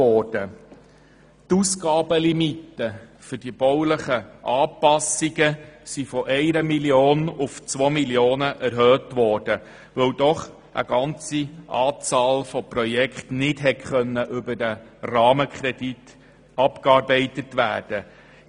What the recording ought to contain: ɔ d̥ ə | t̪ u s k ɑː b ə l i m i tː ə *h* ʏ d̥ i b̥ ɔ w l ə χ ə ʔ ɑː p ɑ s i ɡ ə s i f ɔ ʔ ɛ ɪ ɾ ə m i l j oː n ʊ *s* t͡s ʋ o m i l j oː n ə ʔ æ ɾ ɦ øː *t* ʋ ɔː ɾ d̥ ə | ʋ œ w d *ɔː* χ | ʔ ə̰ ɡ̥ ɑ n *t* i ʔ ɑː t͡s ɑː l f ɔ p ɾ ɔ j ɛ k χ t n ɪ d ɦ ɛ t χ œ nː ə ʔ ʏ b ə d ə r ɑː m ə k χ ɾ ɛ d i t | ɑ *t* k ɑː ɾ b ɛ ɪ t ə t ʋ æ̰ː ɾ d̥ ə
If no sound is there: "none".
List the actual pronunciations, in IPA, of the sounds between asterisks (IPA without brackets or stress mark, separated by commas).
f, f, t, ɔ, t͡s, p